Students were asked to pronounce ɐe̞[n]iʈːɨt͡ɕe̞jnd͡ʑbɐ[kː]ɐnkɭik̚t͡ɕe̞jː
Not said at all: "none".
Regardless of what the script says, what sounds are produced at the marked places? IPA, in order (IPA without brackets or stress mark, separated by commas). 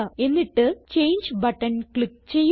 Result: nː, ʈː